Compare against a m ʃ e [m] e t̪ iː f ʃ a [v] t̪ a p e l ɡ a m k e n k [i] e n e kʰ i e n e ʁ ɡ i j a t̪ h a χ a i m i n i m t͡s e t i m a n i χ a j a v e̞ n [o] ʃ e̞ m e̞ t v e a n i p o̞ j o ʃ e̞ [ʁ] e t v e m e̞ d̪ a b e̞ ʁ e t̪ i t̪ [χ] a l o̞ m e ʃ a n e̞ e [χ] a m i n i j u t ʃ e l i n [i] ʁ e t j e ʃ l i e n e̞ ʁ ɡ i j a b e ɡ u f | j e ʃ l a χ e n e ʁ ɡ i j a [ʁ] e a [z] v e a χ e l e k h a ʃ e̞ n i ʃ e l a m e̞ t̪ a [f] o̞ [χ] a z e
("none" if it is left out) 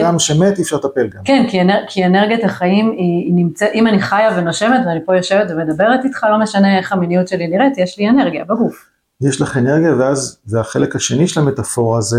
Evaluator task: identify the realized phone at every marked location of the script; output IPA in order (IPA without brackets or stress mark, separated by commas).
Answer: m, ʁ, i, o, v, χ, χ, i, v, z, f, ʁ